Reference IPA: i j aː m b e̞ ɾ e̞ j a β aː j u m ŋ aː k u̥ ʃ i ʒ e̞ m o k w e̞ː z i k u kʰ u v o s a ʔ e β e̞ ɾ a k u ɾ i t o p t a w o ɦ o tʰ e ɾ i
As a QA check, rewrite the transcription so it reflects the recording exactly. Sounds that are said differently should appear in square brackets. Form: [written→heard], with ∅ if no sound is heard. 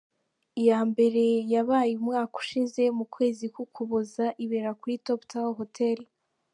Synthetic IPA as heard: i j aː m b e̞ ɾ e̞ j a β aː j u m ŋ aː k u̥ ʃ i [ʒ→z] e̞ m [o→u] k w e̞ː z i k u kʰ u [v→β] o [s→z] a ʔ [e→i] β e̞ ɾ a k u ɾ i t o p t a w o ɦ o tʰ e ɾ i

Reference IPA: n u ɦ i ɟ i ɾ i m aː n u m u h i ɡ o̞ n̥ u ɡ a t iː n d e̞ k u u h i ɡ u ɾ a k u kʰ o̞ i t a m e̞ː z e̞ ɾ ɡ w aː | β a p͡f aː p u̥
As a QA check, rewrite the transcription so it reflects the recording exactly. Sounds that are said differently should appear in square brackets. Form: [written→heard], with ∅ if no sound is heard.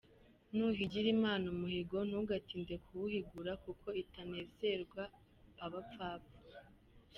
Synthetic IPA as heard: n u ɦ i ɟ i ɾ i m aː n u m u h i ɡ o̞ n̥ u ɡ a t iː n d e̞ k u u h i ɡ u ɾ a k u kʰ o̞ i t a [m→n] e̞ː z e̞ ɾ ɡ w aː | β a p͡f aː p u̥

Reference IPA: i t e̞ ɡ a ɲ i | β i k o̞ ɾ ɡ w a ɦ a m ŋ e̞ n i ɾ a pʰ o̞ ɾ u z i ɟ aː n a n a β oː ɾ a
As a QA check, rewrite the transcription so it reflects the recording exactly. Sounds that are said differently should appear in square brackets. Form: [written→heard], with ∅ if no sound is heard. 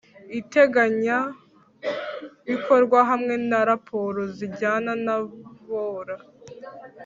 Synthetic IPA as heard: i t e̞ ɡ a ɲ [i→a] | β i k o̞ ɾ ɡ w a ɦ a m ŋ e̞ n [i→a] ɾ a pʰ o̞ ɾ [u→o] z i ɟ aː n a n a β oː ɾ a

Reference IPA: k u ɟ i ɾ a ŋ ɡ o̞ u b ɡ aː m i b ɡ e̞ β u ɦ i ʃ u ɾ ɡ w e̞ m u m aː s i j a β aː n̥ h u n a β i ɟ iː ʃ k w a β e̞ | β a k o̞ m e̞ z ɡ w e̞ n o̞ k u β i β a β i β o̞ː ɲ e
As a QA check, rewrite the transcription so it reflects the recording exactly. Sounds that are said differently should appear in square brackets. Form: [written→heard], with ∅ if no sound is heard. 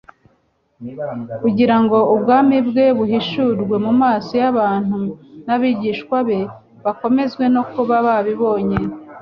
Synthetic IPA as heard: k u ɟ i ɾ a ŋ ɡ o̞ u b ɡ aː m i b ɡ e̞ β u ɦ i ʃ u ɾ ɡ w e̞ m u m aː s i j a β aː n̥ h u n a β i ɟ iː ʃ k w a β e̞ | β a k o̞ m e̞ z ɡ w e̞ n o̞ k u β [i→a] β a β i β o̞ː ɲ e

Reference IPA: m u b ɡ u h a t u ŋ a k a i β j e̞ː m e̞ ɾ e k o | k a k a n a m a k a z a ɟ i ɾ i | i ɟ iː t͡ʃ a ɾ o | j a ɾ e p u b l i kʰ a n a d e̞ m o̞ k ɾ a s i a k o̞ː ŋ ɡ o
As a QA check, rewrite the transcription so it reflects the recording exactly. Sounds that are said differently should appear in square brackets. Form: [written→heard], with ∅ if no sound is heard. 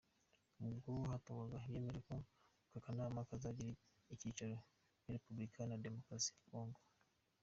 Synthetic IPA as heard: m u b ɡ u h a t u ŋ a [k→ɡ] a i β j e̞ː m e̞ ɾ e k o | k a k a n a m a k a z a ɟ i ɾ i | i [ɟ→c] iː t͡ʃ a ɾ o | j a ɾ e p u b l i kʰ a n a d e̞ m o̞ k ɾ a s i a k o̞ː ŋ ɡ o

